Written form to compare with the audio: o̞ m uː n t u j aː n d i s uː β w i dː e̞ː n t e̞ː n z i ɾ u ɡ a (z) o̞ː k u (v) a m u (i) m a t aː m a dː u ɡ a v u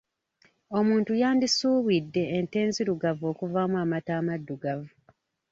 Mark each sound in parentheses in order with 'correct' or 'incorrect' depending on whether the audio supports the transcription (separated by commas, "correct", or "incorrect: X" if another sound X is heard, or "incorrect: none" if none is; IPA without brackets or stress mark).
incorrect: v, correct, incorrect: a